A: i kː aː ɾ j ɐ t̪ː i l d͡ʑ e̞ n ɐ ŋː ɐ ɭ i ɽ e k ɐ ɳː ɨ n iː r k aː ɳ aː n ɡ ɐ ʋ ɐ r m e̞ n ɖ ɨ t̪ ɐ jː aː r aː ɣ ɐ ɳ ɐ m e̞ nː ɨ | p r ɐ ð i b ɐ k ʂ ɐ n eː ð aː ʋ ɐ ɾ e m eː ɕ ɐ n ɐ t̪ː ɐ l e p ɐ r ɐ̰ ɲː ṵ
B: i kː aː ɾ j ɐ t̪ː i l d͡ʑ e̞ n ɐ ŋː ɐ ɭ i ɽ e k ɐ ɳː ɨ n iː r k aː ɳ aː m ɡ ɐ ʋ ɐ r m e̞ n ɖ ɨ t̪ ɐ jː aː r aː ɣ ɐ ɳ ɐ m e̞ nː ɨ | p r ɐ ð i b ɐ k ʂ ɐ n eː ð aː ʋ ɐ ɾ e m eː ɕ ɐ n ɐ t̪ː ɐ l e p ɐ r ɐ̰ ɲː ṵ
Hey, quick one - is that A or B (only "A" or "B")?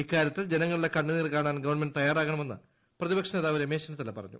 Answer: A